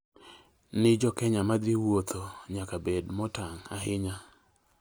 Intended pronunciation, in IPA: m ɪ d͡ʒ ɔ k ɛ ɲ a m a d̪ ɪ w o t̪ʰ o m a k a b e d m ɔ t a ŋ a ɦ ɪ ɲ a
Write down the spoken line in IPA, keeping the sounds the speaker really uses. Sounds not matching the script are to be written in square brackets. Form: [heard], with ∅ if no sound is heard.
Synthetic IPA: [n] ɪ d͡ʒ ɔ k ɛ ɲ a m a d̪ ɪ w o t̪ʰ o [ɲ] a k a b e d m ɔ t a ŋ a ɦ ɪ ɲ a

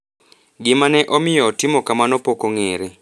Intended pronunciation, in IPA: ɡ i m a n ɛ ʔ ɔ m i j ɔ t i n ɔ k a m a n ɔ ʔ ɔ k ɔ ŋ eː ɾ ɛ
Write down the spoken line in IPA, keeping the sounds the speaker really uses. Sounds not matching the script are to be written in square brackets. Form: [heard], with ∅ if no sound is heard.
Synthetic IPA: ɡ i m a n ɛ ʔ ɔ m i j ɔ t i [m] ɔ k a m a n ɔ [p] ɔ k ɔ ŋ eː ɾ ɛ

